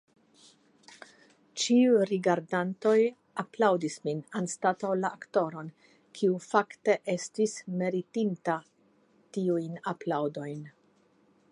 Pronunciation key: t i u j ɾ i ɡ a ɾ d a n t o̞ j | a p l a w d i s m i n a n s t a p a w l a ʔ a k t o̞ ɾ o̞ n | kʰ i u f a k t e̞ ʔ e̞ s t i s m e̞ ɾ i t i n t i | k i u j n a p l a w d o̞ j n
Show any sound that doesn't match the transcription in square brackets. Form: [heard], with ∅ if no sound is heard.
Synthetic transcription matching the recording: [t͡ʃ] i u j ɾ i ɡ a ɾ d a n t o̞ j | a p l a w d i s m i n a n s t a [t] a w l a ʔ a k t o̞ ɾ o̞ n | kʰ i u f a k t e̞ ʔ e̞ s t i s m e̞ ɾ i t i n t [a] | [t] i u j n a p l a w d o̞ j n